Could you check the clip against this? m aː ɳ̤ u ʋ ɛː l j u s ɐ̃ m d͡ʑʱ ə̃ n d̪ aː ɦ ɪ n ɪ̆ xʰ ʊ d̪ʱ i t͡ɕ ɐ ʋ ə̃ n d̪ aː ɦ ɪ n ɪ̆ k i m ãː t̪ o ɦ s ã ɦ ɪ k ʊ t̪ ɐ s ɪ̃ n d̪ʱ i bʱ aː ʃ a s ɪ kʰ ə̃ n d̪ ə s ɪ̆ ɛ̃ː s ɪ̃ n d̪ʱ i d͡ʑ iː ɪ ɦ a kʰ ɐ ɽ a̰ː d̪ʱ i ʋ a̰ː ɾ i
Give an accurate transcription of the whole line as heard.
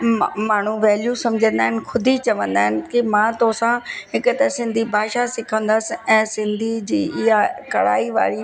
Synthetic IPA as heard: m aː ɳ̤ u ʋ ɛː l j u s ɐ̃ m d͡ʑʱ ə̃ n d̪ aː ɦ ɪ n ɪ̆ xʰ ʊ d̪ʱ i t͡ɕ ɐ ʋ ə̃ n d̪ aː ɦ ɪ n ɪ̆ k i m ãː t̪ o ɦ s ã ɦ ɪ k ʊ t̪ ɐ s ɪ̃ n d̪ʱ i bʱ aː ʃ a s ɪ kʰ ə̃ n d̪ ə s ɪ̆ ɛ̃ː s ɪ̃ n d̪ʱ i d͡ʑ iː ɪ ɦ a k ɐ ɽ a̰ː i ʋ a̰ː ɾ i